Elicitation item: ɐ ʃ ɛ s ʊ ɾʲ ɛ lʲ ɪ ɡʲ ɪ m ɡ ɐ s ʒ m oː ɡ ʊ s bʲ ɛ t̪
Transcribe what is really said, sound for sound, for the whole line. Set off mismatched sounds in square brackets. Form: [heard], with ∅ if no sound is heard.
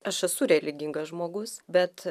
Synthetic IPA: ɐ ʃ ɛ s ʊ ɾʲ ɛ lʲ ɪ ɡʲ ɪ [ŋ] ɡ ɐ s ʒ m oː ɡ ʊ s bʲ ɛ t̪